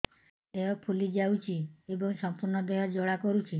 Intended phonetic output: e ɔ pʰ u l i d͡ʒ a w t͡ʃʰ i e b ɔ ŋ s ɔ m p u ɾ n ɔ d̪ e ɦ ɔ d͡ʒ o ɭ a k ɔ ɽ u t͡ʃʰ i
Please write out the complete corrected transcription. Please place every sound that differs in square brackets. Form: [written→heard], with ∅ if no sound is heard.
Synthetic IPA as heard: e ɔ pʰ u l i d͡ʒ a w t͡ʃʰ i e b ɔ ŋ s ɔ m p u ɾ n ɔ d̪ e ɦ ɔ d͡ʒ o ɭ a k ɔ [ɽ→ɾ] u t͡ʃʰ i